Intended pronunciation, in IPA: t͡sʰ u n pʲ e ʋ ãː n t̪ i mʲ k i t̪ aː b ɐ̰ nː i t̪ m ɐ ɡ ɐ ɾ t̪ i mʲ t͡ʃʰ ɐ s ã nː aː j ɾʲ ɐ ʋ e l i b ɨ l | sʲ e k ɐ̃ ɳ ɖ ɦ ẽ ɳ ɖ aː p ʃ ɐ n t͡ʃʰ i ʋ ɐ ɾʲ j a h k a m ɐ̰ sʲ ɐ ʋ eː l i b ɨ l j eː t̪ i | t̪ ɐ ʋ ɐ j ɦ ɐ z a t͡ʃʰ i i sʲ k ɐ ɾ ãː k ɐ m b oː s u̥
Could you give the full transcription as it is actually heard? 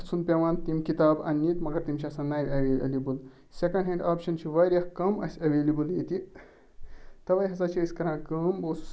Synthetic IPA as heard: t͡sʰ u n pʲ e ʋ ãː n t̪ i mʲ k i t̪ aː b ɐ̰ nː i t̪ m ɐ ɡ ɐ ɾ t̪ i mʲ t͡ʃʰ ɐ s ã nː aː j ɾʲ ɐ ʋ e l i b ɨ l | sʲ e k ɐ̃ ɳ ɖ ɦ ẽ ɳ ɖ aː p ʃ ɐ n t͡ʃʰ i ʋ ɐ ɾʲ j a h k ɐ m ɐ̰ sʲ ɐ ʋ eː l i b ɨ l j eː t̪ i | t̪ ɐ ʋ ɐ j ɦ ɐ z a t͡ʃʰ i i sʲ k ɐ ɾ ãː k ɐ m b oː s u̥